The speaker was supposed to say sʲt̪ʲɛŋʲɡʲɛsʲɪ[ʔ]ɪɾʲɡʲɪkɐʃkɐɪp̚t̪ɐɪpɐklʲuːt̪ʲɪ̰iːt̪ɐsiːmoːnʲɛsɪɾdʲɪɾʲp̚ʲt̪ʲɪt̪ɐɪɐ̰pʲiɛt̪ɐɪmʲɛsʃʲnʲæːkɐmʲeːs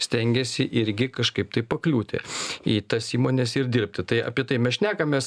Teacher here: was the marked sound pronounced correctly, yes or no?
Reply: yes